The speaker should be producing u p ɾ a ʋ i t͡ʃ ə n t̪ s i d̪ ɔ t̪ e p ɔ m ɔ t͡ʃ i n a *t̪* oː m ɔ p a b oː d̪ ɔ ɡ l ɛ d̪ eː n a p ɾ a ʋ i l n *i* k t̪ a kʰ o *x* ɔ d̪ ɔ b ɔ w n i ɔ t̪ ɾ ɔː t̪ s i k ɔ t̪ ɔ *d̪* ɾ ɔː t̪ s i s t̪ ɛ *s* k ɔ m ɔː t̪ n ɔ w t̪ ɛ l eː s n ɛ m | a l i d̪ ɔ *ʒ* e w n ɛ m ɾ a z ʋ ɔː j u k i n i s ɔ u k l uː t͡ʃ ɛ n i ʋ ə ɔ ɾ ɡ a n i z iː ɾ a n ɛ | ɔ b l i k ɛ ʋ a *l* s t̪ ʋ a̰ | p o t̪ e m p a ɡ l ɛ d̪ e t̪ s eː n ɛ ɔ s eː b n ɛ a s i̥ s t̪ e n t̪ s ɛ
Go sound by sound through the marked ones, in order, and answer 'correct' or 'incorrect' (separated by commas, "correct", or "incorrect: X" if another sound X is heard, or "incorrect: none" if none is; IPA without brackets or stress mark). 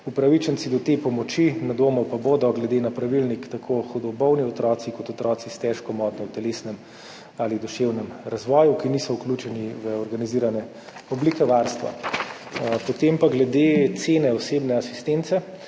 incorrect: d̪, correct, correct, incorrect: t̪, incorrect: ʃ, incorrect: ʃ, incorrect: ɾ